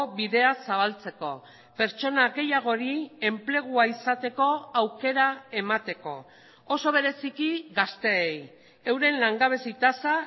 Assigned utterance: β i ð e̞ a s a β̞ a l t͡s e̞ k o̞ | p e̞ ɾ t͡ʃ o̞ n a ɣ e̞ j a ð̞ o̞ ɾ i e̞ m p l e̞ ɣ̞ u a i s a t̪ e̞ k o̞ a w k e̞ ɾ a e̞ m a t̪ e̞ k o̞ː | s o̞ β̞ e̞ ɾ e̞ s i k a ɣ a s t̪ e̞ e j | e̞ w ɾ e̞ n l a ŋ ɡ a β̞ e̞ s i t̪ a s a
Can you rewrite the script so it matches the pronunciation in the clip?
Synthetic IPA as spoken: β i ð e̞ a s a β̞ a l t͡s e̞ k o̞ | p e̞ ɾ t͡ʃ o̞ n a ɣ e̞ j a ɣ̞ o̞ ɾ i e̞ m p l e̞ ɣ̞ u a i s a t̪ e̞ k o̞ a w k e̞ ɾ a e̞ m a t̪ e̞ k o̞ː | s o̞ β̞ e̞ ɾ e̞ s i k i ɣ a s t̪ e̞ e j | e̞ w ɾ e̞ n l a ŋ ɡ a β̞ e̞ s i t̪ a s a